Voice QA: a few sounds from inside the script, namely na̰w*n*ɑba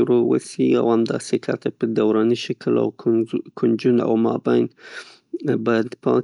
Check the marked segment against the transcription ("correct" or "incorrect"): incorrect